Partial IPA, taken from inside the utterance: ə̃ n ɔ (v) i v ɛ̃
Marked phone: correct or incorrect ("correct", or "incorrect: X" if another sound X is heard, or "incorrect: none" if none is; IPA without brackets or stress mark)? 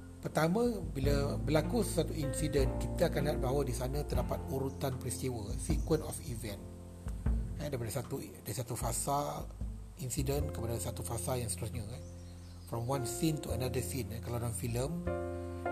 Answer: incorrect: f